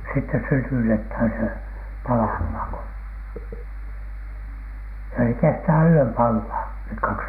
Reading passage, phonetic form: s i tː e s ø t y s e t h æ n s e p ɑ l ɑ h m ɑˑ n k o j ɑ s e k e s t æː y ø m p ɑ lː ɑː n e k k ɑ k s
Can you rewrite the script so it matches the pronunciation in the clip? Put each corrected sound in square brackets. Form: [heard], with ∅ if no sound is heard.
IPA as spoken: s i tː e s [y] t y [t] e t h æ n s e p ɑ l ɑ h m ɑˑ [ŋ] k o j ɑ s e k e s t æː y ø m p ɑ lː ɑː n e k k ɑ k s